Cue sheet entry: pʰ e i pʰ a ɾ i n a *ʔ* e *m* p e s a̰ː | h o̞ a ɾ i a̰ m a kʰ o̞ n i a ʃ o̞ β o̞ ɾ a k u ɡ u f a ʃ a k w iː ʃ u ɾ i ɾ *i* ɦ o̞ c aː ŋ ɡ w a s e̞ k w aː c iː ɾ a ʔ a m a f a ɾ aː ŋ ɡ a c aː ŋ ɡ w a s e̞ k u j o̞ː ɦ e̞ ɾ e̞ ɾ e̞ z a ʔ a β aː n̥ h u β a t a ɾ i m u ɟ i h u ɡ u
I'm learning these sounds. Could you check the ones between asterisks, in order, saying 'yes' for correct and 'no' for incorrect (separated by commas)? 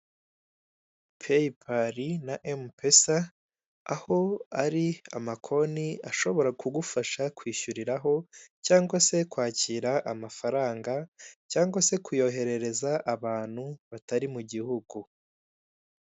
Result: yes, yes, no